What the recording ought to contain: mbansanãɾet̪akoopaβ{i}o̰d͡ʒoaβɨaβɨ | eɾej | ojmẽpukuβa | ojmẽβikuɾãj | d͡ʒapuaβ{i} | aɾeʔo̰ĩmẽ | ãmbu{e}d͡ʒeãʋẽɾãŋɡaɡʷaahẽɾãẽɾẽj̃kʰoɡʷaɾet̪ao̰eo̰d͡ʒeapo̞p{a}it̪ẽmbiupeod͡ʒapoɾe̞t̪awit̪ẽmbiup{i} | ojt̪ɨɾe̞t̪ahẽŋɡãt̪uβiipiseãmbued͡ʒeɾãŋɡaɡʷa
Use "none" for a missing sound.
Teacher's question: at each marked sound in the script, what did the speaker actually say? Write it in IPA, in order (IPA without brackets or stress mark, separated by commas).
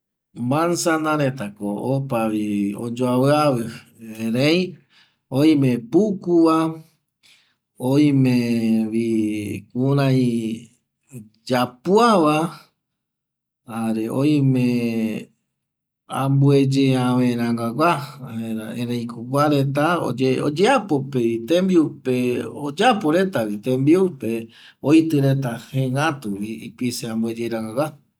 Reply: i, a, e, e, e